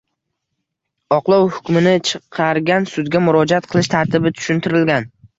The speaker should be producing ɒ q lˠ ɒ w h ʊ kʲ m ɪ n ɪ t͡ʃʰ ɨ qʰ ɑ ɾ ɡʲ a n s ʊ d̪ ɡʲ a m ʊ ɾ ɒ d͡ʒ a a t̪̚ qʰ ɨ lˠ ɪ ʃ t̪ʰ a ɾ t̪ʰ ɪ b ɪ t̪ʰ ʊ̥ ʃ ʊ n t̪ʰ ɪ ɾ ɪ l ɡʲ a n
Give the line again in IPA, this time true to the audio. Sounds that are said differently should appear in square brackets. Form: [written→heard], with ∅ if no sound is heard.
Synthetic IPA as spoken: ɒ q lˠ ɒ w h ʊ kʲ m ɪ n ɪ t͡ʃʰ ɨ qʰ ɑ ɾ ɡʲ a n s ʊ d̪ ɡʲ a m ʊ ɾ ɒ d͡ʒ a a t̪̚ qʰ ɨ lˠ ɪ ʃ t̪ʰ a ɾ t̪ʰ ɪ b ɪ t̪ʰ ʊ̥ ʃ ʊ n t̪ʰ ɪ ɾ ɪ l ɡʲ a n